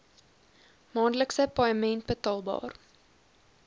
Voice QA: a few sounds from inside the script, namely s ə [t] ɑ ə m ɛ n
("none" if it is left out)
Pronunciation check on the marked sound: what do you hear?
p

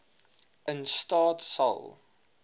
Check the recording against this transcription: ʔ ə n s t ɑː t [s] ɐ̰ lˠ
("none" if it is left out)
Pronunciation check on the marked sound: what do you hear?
s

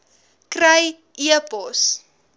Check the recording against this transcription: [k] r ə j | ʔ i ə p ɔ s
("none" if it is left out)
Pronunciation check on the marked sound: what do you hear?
k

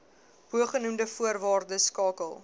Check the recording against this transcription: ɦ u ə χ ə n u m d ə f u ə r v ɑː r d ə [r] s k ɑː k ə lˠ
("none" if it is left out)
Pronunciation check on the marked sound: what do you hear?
none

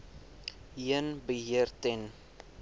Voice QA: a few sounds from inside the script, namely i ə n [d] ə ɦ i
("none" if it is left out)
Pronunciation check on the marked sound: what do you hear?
b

